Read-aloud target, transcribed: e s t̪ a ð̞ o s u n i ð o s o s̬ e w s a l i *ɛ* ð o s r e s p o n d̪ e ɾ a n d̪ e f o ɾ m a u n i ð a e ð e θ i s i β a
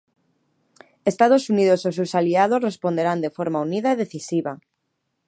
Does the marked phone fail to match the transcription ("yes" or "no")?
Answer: yes